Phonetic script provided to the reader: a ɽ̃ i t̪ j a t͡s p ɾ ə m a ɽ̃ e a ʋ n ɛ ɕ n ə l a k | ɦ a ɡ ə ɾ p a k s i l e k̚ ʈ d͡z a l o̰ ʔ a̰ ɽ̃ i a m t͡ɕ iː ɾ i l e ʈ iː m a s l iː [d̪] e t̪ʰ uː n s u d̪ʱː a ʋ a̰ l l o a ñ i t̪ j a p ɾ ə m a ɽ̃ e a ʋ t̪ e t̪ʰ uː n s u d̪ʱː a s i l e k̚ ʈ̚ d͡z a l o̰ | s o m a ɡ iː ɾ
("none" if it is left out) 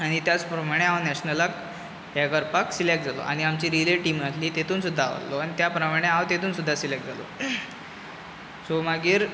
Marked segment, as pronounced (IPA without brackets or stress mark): t̪